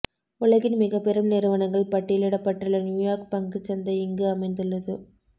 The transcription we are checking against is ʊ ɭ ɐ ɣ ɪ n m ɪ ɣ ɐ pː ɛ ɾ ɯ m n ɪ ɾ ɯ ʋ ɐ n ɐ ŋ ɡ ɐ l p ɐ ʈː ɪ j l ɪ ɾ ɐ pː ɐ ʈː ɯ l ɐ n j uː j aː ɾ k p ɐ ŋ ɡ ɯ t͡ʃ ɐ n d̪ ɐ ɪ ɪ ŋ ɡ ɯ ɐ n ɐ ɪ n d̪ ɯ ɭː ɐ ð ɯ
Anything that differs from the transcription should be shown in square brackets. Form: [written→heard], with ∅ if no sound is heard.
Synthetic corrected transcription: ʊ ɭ ɐ ɣ ɪ n m ɪ ɣ ɐ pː ɛ ɾ ɯ m n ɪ ɾ ɯ ʋ ɐ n ɐ ŋ ɡ ɐ [l→ɭ] p ɐ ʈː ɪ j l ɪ [ɾ→ɽ] ɐ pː ɐ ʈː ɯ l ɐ n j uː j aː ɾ k p ɐ ŋ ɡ ɯ t͡ʃ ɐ n d̪ ɐ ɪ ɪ ŋ ɡ ɯ ɐ [n→m] ɐ ɪ n d̪ ɯ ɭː ɐ ð ɯ